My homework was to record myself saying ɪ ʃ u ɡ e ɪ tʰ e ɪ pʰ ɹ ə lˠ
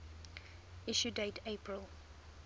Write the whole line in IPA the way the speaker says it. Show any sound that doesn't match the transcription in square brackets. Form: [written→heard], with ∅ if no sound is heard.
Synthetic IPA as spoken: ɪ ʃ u [ɡ→d] e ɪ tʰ e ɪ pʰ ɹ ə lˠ